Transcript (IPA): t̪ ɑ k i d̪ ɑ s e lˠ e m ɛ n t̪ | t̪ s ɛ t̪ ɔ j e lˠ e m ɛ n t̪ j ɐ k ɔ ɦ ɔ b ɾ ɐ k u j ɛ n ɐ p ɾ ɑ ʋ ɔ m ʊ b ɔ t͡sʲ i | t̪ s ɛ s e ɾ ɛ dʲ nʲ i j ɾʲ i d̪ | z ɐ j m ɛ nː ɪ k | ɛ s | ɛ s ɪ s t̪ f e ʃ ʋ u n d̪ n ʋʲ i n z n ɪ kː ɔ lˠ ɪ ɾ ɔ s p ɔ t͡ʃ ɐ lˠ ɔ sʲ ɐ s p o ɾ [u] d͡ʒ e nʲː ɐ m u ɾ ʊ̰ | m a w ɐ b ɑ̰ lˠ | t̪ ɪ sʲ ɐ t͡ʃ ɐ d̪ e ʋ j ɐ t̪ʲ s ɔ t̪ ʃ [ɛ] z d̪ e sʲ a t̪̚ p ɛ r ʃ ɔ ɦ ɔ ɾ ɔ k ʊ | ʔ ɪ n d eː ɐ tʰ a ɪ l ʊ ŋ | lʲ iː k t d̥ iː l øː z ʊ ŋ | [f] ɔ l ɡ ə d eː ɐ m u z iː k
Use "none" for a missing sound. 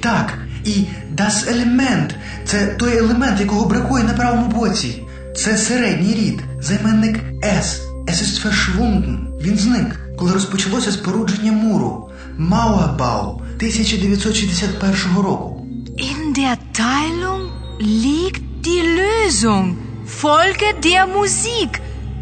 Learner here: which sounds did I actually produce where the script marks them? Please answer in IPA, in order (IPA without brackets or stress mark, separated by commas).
u, i, f